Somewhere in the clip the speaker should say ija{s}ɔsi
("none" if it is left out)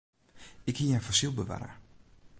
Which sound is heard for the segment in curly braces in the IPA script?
f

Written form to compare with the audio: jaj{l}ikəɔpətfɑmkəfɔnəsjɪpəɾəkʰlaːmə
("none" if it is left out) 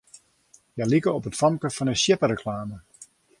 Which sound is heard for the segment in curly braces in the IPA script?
l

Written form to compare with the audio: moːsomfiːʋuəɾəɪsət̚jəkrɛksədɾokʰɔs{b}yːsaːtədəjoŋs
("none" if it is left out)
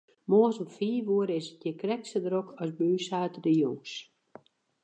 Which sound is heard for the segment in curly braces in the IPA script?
b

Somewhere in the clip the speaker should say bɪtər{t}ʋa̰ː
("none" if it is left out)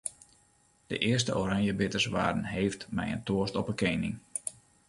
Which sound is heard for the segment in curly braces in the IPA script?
s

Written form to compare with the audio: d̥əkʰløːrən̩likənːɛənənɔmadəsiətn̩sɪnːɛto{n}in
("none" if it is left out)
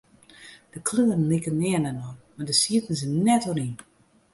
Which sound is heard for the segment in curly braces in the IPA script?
n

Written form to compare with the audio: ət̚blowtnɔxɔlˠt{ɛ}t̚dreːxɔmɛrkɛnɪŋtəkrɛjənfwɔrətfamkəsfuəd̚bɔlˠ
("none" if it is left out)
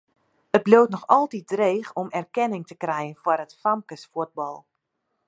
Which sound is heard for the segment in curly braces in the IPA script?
i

